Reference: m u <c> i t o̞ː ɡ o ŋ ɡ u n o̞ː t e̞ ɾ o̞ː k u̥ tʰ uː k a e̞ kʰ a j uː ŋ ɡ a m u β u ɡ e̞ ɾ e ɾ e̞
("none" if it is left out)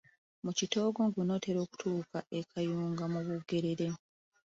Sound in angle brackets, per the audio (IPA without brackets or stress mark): c